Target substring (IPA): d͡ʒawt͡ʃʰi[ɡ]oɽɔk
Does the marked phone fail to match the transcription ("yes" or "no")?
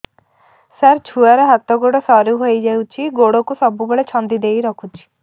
no